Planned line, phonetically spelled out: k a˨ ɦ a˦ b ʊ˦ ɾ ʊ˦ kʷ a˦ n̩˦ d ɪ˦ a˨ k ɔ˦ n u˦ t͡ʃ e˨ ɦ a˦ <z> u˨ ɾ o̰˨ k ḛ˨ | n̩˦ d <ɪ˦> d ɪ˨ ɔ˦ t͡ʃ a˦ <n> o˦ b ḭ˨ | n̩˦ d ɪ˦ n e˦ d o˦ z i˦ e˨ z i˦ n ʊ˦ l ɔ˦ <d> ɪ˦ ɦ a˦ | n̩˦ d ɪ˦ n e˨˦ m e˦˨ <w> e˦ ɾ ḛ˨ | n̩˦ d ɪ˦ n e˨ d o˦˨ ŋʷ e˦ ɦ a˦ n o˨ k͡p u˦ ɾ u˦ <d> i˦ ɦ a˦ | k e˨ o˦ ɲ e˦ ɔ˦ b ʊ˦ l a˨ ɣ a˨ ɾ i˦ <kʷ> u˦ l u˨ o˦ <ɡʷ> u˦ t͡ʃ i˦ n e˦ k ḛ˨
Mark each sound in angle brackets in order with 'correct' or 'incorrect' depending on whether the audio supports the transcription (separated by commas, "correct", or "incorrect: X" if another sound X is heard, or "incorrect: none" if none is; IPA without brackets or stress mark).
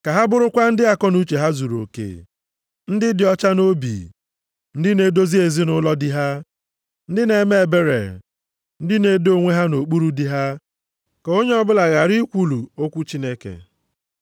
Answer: correct, correct, correct, correct, incorrect: b, correct, correct, incorrect: kʷ